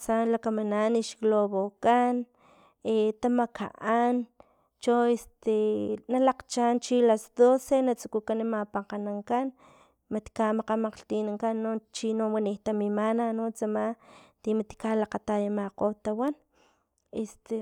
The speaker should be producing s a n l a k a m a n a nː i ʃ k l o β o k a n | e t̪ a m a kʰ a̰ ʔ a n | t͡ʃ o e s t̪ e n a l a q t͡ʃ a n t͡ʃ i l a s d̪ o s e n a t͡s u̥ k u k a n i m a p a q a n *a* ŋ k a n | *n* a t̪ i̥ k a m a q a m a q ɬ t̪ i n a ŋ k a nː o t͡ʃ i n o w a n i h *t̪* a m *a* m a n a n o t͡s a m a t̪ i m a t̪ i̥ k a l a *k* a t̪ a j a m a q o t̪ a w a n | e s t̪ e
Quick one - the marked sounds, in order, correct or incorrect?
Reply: correct, incorrect, correct, incorrect, incorrect

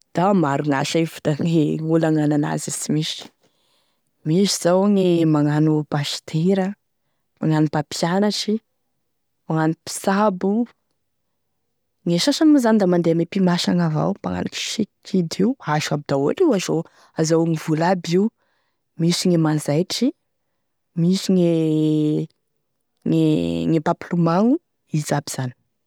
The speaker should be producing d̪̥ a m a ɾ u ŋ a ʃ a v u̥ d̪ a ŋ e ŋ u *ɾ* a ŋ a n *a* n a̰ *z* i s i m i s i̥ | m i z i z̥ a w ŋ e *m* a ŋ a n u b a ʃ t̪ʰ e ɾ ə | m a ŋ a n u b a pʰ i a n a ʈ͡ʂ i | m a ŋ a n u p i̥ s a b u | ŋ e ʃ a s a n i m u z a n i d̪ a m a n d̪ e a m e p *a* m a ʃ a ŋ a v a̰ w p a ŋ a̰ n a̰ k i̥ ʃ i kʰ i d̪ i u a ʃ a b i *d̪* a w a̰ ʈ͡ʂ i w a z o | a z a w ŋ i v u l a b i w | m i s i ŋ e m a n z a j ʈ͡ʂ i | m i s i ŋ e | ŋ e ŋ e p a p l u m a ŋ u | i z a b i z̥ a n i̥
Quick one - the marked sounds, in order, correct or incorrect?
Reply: incorrect, correct, correct, correct, incorrect, correct

